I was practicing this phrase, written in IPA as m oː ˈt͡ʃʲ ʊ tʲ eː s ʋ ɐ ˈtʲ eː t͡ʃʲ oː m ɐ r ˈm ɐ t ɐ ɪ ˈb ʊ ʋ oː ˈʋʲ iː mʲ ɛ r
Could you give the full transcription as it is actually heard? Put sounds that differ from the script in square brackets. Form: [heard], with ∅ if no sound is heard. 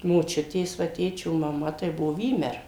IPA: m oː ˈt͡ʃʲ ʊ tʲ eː s ʋ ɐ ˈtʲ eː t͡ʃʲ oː m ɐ [∅] ˈm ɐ t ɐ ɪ ˈb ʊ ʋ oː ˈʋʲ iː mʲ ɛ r